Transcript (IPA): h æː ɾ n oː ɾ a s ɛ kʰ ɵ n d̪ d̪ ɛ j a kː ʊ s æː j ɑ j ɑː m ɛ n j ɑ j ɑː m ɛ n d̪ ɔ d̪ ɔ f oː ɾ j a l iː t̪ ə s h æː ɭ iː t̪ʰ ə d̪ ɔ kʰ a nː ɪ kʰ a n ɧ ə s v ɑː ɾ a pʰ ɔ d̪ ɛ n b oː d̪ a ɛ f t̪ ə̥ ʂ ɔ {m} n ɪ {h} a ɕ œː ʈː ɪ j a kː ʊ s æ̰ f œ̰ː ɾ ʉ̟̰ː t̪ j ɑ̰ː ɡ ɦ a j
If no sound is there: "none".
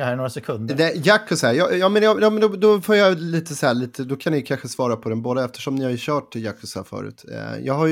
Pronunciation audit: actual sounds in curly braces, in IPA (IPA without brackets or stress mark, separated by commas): m, h